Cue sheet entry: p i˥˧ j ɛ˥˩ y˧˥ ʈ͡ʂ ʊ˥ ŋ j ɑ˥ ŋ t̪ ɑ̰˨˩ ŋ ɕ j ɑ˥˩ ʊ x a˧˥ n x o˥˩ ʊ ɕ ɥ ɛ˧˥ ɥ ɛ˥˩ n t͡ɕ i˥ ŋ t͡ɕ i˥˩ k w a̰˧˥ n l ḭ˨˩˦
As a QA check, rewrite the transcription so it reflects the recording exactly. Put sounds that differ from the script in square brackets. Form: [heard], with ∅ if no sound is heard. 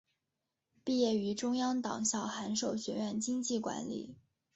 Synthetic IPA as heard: p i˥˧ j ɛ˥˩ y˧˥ ʈ͡ʂ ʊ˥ ŋ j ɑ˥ ŋ t̪ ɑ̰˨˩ ŋ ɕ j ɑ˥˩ ʊ x a˧˥ n [ʂ] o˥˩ ʊ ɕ ɥ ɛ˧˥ ɥ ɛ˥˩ n t͡ɕ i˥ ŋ t͡ɕ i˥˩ k w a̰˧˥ n l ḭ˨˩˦